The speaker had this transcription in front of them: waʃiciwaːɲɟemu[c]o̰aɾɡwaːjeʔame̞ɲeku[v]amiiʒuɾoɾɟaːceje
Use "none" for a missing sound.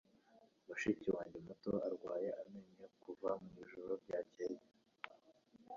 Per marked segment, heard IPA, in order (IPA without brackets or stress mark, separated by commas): t, v